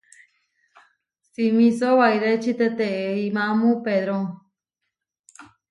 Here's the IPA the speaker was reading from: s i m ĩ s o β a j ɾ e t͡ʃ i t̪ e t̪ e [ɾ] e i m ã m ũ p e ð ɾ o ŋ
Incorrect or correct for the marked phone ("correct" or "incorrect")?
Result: incorrect